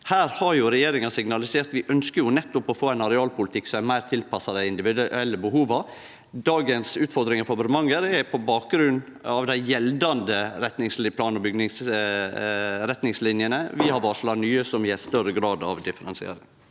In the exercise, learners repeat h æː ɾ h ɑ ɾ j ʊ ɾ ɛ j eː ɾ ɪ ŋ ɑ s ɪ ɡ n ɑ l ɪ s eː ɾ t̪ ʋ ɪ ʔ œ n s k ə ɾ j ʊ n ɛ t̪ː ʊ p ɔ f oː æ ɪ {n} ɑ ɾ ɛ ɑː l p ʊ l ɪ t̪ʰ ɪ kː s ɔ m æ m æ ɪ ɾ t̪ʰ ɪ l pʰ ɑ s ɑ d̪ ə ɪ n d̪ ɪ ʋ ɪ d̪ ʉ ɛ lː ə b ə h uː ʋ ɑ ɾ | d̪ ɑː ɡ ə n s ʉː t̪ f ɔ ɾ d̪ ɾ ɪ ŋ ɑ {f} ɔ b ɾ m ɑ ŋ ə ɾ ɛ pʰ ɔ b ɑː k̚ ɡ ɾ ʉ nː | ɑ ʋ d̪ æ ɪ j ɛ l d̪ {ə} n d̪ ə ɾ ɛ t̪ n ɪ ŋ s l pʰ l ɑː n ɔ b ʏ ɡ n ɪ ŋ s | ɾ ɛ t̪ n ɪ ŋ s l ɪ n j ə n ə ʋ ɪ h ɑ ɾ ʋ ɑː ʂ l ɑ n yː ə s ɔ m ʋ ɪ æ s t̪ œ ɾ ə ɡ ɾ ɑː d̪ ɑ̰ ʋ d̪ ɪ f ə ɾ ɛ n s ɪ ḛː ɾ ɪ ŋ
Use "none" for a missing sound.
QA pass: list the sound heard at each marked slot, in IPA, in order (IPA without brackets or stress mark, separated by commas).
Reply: n, f, ɑ